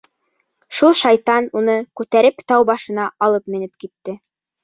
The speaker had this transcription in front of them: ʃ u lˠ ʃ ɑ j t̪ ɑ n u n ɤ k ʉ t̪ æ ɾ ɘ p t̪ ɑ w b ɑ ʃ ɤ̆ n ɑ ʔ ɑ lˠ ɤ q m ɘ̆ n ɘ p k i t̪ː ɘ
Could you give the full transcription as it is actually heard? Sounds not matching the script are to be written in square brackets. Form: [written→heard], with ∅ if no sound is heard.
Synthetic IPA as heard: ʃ u lˠ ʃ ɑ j t̪ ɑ n u n ɤ k ʉ t̪ æ ɾ ɘ p t̪ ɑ w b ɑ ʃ ɤ̆ n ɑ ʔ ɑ lˠ ɤ [q→p] m ɘ̆ n ɘ p k i t̪ː ɘ